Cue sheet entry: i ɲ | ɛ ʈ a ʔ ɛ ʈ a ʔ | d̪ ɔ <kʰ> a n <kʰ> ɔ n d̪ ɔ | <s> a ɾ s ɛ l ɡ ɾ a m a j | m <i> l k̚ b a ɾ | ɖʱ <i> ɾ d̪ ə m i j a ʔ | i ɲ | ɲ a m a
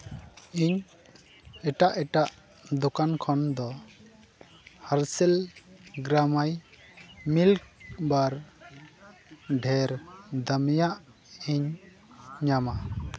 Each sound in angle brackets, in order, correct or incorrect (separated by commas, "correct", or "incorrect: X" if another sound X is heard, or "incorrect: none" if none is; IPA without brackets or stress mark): incorrect: k, correct, incorrect: h, correct, incorrect: ɛ